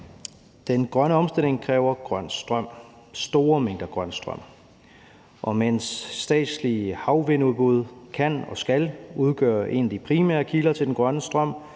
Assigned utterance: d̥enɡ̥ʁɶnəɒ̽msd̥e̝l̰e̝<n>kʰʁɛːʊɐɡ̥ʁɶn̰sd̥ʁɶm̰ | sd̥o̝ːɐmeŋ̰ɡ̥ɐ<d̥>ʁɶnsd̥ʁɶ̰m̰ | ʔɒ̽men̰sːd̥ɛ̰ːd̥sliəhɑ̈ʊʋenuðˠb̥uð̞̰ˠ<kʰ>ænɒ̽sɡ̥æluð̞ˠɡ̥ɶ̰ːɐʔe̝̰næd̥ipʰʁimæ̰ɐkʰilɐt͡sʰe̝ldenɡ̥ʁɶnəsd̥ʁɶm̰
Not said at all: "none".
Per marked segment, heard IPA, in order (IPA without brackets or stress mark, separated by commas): ŋ, ɡ̥, kʰ